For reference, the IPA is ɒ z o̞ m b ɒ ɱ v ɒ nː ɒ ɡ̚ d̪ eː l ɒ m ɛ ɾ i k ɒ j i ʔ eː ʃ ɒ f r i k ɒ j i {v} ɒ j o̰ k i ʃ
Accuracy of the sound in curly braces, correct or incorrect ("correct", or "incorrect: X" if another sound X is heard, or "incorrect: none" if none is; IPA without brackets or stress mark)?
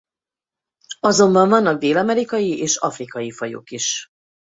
incorrect: f